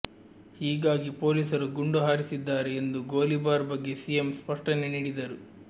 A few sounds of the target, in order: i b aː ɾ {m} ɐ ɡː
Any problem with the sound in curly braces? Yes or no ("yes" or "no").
yes